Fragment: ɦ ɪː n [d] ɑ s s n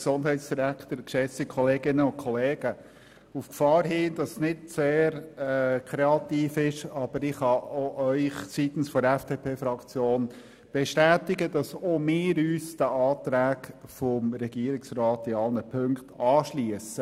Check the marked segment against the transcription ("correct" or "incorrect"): correct